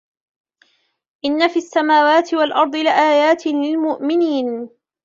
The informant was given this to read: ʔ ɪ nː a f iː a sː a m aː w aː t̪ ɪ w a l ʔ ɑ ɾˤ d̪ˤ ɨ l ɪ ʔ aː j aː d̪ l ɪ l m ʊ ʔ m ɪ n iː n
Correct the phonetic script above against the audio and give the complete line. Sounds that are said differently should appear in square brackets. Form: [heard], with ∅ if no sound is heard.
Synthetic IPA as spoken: ʔ ɪ nː a f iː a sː a m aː w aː t̪ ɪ w a l ʔ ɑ ɾˤ d̪ˤ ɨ l ɪ ʔ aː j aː [t̪] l ɪ l m ʊ ʔ m ɪ n iː n